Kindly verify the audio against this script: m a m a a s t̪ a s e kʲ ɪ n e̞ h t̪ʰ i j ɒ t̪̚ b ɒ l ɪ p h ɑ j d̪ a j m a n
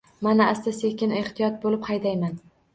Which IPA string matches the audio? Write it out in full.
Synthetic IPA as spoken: m a n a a s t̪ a s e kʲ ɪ n e̞ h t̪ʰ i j ɒ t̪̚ b o l ɪ p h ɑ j d̪ a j m a n